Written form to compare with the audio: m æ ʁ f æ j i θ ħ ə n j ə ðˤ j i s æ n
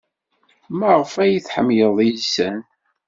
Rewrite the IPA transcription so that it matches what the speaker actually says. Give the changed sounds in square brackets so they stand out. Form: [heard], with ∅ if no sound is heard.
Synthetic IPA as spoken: m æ ʁ f æ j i θ ħ ə [m] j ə ðˤ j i s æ n

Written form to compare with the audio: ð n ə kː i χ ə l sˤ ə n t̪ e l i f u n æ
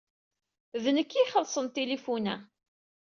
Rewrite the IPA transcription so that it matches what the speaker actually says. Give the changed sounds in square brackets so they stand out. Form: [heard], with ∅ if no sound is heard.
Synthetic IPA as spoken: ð n ə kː i χ ə l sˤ ə n t̪ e l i f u n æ

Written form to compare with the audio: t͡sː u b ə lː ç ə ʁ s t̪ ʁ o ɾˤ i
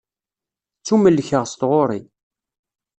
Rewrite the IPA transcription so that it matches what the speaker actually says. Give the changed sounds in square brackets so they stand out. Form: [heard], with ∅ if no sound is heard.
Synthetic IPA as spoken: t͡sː u [m] ə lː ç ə ʁ s t̪ ʁ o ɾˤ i

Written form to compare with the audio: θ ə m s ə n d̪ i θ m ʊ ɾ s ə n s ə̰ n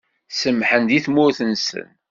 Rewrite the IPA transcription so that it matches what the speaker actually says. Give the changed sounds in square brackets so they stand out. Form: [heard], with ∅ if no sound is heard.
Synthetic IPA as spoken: [s] ə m [ħ] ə n d̪ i θ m ʊ ɾ [θ] ə n s ə̰ n

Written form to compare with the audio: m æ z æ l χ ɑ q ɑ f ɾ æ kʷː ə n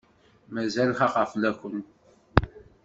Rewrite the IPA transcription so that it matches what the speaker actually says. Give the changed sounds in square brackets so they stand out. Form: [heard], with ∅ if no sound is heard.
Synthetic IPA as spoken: m æ z æ l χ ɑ q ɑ f [l] æ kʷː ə n

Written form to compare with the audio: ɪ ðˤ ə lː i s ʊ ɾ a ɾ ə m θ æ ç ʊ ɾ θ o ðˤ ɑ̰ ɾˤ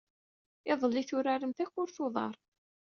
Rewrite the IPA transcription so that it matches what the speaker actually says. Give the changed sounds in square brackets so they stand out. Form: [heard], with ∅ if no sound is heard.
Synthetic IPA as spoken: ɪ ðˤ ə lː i [θ] ʊ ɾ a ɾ ə m θ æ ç ʊ ɾ θ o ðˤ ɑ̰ ɾˤ

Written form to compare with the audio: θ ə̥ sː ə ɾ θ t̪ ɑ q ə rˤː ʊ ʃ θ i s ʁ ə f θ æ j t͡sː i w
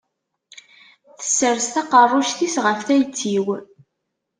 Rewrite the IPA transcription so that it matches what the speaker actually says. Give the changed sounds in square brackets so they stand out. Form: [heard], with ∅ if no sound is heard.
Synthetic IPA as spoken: θ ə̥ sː ə ɾ [s] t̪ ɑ q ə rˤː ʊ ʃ θ i s ʁ ə f θ æ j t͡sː i w

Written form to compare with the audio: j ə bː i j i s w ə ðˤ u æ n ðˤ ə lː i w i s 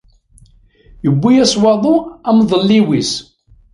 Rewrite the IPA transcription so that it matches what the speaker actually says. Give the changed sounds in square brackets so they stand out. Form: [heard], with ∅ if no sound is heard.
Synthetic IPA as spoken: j ə bː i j [æ] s w [ɑ] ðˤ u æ [m] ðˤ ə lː i w i s

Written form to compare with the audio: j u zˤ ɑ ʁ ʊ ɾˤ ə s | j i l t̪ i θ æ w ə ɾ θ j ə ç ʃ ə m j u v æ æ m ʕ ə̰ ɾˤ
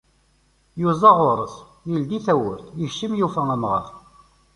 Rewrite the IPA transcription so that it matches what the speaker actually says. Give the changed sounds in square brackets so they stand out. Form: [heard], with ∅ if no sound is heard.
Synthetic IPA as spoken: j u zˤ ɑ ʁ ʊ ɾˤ ə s | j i l [d̪] i θ æ w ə ɾ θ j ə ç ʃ ə m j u [f] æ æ m [ʁ] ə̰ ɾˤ

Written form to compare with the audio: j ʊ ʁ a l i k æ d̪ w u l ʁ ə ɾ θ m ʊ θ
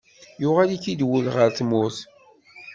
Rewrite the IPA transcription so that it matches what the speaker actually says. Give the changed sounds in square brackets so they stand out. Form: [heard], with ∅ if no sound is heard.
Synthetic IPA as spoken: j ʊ ʁ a l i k [i] d̪ w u l ʁ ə ɾ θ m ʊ θ

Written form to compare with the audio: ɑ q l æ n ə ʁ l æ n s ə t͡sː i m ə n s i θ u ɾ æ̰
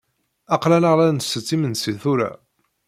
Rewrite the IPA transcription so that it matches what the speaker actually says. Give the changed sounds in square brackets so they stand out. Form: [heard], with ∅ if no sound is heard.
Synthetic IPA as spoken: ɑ q l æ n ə ʁ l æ n s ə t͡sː i m ə n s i θ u ɾ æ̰

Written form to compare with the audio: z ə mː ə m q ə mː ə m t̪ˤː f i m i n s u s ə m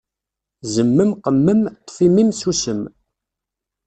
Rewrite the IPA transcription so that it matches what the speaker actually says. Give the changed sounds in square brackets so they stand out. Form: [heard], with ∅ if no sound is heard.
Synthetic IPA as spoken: z ə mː ə m q ə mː ə m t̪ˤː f i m i [m] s u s ə m

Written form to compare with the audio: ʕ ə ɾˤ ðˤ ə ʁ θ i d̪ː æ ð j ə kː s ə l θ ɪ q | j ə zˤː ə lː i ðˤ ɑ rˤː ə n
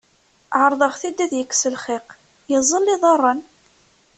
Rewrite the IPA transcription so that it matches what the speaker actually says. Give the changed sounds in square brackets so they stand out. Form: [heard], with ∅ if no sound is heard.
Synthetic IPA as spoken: ʕ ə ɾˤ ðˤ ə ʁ θ i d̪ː æ ð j ə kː s ə l [χ] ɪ q | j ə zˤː ə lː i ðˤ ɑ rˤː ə n

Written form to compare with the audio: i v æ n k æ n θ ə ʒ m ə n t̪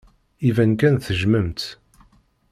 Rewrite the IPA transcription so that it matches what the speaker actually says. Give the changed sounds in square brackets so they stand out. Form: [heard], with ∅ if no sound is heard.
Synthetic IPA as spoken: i v æ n k æ n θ ə ʒ m ə [m] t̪

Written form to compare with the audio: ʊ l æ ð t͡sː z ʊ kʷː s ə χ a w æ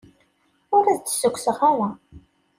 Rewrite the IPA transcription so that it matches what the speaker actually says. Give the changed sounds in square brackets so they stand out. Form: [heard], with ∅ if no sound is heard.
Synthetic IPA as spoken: ʊ [ɾ] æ ð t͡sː [s] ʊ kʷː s ə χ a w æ

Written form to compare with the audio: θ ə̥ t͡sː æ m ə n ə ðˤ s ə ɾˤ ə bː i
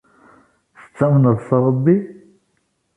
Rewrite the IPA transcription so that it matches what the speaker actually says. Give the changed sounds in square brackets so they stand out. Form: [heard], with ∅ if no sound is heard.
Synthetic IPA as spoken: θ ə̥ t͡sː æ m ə n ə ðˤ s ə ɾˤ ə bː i

